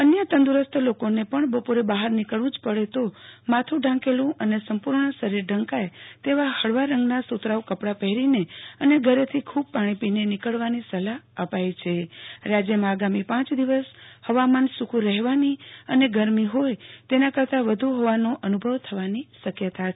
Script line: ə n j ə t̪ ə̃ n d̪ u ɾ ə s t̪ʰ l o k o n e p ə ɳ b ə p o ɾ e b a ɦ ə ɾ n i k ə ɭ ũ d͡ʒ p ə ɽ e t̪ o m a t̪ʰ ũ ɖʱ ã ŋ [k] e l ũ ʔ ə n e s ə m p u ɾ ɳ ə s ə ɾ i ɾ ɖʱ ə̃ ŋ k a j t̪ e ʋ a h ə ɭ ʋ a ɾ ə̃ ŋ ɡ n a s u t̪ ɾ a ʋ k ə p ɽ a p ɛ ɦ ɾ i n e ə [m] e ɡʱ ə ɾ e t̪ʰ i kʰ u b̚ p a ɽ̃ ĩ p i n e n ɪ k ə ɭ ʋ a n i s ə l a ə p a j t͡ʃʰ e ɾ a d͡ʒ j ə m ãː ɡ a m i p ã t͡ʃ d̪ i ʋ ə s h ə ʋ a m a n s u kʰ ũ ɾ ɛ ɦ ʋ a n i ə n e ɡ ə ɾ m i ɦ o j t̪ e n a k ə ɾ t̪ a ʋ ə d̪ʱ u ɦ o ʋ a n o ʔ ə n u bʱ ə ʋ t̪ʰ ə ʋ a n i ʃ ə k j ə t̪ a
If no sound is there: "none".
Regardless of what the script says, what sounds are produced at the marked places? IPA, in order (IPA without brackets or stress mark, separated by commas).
k, n